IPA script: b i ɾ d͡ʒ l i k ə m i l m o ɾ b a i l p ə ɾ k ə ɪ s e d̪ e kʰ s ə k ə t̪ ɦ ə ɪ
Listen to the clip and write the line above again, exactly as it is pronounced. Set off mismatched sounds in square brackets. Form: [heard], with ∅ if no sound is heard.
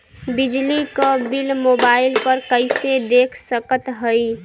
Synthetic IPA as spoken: b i [∅] d͡ʒ l i k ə [b] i l m o [∅] b a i l p ə ɾ k ə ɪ s e d̪ e kʰ s ə k ə t̪ ɦ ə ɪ